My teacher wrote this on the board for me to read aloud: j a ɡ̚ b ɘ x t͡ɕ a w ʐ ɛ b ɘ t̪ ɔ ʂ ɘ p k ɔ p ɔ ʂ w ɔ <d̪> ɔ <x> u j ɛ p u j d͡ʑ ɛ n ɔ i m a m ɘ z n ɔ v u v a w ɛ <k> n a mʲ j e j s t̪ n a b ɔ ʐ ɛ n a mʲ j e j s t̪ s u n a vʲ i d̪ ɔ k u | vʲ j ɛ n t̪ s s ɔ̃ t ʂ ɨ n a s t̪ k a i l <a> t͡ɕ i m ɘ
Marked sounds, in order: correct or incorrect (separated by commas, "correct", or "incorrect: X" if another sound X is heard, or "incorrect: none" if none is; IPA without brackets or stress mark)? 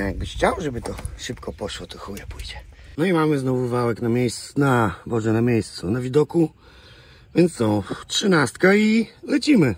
incorrect: t̪, correct, correct, incorrect: ɛ